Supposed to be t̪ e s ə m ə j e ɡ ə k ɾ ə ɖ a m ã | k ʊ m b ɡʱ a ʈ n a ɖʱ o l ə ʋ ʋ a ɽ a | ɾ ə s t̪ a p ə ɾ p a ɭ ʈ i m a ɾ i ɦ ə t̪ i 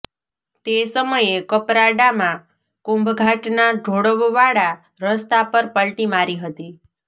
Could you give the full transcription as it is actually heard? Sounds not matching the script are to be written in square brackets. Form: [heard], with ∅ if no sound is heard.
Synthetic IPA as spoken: t̪ e s ə m ə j e [k] ə [p] ɾ [a] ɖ a m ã | k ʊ m b ɡʱ a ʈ n a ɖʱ o [ɽ] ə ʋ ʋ a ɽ a | ɾ ə s t̪ a p ə ɾ p [ə] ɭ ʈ i m a ɾ i ɦ ə t̪ i